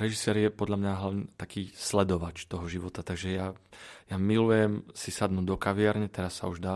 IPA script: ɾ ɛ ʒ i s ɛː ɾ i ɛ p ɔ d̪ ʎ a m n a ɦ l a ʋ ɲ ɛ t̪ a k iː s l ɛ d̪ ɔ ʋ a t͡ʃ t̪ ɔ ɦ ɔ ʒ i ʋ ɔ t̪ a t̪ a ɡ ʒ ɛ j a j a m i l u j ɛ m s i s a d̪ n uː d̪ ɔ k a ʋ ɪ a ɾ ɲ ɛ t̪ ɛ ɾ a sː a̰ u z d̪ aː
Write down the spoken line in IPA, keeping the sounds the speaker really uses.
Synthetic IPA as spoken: ɾ ɛ ʒ i s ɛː ɾ j ɛ p ɔ d̪ ʎ a m ɲ a ɦ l a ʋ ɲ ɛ t̪ a k iː s l ɛ d̪ ɔ ʋ a t͡ʃ t̪ ɔ ɦ ɔ ʒ i ʋ ɔ t̪ a t̪ a ɡ ʒ ɛ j a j a m i l u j ɛ m s i s a d̪ n uː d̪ ɔ k a ʋ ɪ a ɾ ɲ ɛ t̪ ɛ ɾ a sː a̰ u ʒ d̪ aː